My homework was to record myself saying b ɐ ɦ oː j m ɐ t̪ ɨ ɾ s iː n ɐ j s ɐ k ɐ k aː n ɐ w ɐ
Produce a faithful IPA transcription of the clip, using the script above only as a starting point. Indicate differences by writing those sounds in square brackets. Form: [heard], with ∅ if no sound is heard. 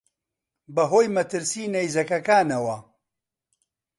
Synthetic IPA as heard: b ɐ ɦ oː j m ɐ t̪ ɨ ɾ s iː n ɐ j [z] ɐ k ɐ k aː n ɐ w ɐ